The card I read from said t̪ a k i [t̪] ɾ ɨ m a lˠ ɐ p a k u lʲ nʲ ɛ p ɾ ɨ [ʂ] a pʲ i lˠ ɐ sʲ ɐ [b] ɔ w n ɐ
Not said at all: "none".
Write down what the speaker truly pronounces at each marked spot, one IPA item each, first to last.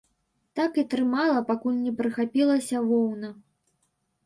t̪, x, v

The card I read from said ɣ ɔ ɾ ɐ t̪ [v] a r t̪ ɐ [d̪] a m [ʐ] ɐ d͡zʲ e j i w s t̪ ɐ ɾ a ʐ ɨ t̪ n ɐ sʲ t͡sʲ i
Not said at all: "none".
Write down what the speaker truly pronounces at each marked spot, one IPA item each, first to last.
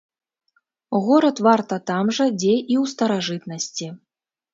v, t̪, ʐ

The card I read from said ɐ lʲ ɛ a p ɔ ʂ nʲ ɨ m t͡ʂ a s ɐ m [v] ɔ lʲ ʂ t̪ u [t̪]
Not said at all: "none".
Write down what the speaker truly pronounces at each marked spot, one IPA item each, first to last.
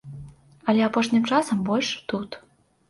b, t̪

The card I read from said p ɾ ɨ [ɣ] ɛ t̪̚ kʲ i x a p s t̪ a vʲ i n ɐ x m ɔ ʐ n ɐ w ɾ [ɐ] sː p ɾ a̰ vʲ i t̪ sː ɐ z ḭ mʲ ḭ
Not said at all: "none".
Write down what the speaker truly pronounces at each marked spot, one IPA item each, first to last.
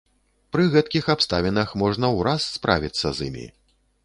ɣ, a

